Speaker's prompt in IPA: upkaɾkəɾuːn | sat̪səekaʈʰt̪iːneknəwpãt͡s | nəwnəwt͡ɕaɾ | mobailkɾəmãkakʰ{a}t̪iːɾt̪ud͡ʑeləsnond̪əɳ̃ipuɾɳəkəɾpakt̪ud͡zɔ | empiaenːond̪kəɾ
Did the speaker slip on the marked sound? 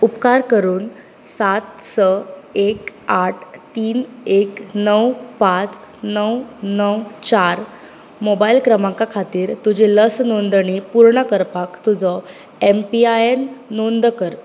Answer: no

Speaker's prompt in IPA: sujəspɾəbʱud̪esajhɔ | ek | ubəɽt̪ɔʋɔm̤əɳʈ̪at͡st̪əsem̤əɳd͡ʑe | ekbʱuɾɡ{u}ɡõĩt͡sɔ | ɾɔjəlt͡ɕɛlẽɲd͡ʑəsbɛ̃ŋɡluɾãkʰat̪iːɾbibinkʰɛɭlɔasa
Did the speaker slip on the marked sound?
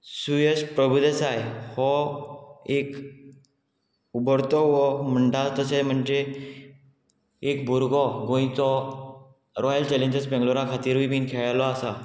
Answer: yes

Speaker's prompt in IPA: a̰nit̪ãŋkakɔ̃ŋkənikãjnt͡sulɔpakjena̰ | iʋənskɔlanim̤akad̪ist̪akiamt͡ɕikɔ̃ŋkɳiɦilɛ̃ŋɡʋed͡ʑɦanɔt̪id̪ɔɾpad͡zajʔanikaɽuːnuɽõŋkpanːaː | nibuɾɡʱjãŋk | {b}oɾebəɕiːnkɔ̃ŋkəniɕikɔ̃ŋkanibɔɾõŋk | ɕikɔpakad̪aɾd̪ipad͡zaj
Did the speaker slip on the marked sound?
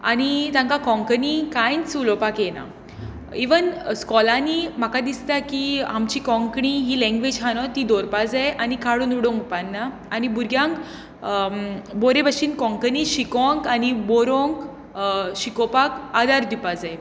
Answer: no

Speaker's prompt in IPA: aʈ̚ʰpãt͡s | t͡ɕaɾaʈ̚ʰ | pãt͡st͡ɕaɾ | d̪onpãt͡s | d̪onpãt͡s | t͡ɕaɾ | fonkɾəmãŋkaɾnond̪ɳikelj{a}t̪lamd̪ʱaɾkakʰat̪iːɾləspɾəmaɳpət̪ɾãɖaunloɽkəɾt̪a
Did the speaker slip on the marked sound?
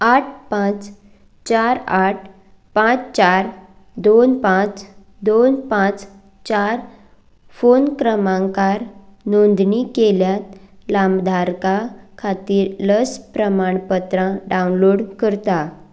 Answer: no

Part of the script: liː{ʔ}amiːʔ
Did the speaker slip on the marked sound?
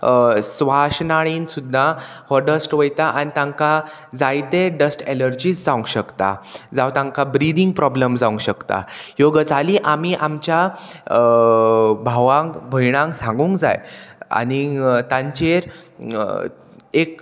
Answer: no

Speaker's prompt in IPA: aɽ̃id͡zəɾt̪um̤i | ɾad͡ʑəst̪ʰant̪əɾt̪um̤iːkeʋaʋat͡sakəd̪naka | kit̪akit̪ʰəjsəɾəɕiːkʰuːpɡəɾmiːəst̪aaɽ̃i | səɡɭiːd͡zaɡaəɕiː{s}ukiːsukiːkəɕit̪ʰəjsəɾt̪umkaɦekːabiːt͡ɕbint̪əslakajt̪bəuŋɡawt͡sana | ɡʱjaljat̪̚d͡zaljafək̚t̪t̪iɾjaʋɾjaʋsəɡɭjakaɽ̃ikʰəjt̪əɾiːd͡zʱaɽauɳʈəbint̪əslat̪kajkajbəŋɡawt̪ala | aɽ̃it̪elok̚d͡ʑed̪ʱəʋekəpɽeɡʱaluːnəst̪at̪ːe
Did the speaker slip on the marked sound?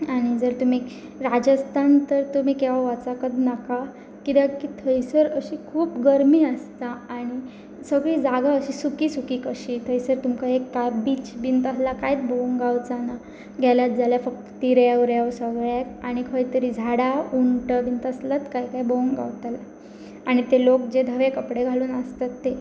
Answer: no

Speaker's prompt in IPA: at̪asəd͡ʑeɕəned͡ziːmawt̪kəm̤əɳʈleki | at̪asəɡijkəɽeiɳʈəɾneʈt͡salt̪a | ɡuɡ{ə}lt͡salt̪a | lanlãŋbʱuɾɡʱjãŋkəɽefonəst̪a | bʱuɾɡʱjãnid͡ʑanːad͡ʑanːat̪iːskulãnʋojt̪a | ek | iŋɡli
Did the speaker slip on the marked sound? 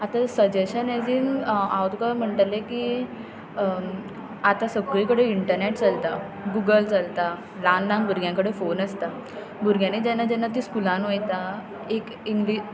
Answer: no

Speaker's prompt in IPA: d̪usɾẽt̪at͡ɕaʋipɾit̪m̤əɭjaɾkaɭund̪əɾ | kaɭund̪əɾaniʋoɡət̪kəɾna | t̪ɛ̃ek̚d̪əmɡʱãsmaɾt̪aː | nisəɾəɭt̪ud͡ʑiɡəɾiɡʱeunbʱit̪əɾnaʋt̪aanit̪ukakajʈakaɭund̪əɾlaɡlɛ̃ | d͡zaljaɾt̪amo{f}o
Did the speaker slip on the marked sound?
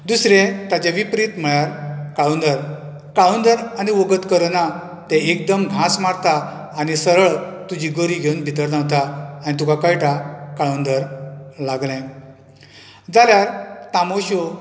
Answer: yes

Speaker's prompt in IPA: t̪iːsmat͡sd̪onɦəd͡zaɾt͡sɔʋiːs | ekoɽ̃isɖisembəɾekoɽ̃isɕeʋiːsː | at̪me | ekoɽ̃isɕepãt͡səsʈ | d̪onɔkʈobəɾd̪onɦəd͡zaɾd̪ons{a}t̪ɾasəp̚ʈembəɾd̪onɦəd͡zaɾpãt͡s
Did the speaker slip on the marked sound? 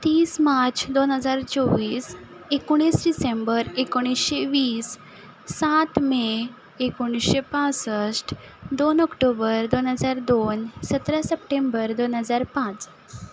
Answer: yes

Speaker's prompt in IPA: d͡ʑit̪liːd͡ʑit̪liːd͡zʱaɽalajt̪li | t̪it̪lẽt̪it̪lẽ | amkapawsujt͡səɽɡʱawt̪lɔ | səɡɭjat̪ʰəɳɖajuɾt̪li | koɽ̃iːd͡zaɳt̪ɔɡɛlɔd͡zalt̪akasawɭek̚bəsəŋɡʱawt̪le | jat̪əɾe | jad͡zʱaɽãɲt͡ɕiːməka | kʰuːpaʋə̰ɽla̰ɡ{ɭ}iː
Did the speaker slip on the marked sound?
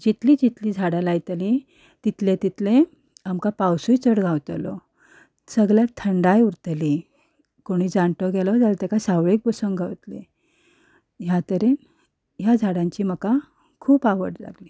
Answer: yes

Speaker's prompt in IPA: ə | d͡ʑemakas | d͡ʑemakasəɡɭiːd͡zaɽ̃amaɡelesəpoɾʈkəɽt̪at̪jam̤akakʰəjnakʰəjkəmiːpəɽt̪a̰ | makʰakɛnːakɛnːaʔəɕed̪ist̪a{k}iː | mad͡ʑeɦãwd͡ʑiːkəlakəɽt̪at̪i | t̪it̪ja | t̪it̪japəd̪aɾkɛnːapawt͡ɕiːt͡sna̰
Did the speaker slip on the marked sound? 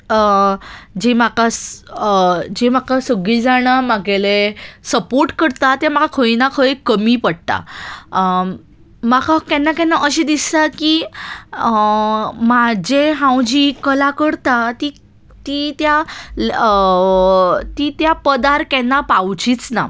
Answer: no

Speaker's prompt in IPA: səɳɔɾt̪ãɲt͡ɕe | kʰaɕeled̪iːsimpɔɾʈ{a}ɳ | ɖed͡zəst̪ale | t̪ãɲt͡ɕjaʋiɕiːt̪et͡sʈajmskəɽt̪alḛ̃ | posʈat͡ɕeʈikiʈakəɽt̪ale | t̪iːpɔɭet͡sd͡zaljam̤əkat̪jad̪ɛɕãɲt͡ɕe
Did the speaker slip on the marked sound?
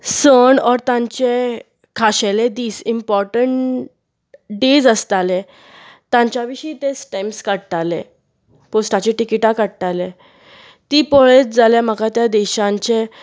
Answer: yes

